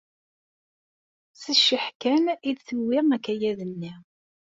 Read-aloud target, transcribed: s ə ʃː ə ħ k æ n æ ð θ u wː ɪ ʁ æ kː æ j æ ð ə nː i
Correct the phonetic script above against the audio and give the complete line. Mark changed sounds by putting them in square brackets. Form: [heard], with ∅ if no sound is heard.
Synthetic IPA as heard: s ə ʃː ə ħ k æ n [i] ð θ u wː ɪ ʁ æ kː æ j æ ð ə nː i